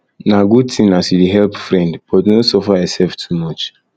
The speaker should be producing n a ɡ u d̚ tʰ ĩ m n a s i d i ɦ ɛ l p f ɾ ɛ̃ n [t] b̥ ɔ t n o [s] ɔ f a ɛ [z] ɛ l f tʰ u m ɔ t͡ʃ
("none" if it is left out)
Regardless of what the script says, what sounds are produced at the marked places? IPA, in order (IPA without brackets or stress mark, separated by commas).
d, s, s